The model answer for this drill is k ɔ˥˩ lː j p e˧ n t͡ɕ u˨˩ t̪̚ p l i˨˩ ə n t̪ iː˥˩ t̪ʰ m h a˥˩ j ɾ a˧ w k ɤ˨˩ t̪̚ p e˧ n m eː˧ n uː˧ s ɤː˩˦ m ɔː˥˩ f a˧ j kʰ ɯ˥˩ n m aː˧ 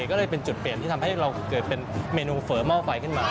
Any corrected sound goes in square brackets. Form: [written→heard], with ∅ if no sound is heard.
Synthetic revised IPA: k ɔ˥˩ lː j p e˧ n t͡ɕ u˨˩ t̪̚ p l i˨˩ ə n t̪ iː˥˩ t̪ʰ m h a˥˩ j ɾ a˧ w k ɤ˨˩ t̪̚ p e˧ n m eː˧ n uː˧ [s→f] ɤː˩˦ m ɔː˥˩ f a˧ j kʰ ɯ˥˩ n m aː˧